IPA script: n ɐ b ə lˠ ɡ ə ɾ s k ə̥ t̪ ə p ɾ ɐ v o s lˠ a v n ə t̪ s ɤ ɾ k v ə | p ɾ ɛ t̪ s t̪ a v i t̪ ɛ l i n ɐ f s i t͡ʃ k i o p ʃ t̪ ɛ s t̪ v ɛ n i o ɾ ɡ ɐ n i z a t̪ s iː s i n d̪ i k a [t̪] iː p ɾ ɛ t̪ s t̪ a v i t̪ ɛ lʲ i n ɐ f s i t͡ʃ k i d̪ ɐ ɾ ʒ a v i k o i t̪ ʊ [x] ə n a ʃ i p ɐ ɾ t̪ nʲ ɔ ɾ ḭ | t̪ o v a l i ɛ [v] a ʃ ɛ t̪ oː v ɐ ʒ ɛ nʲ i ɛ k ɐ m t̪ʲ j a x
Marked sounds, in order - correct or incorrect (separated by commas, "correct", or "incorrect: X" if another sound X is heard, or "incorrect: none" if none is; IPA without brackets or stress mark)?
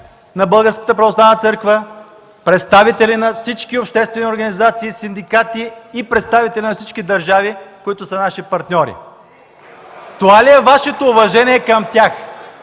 correct, incorrect: s, correct